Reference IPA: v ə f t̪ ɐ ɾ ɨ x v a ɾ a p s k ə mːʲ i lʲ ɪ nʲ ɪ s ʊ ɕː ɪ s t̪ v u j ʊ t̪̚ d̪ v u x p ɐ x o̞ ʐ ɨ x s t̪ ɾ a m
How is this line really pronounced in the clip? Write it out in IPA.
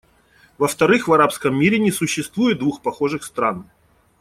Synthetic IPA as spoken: v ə f t̪ ɐ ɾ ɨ x v ɐ ɾ a p s k ə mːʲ i ɾʲ ɪ nʲ ɪ s ʊ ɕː ɪ s t̪ v u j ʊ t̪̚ d̪ v u x p ɐ x o̞ ʐ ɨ x s t̪ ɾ a n